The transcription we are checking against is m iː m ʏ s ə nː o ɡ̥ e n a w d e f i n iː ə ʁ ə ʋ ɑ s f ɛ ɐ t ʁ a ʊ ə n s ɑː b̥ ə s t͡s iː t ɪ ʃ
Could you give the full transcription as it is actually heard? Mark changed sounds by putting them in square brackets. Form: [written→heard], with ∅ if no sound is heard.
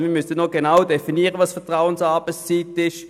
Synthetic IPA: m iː m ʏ s ə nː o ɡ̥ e n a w d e f i n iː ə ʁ ə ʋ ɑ s f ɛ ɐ t ʁ a ʊ ə n s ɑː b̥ ə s t͡s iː t ɪ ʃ